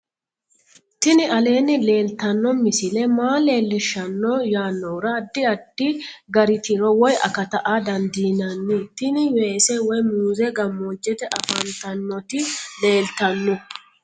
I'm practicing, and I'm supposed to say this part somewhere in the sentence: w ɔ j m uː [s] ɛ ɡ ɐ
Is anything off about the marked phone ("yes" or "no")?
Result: yes